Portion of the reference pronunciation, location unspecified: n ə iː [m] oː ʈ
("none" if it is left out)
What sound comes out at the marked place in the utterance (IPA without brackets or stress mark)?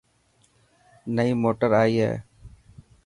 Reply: m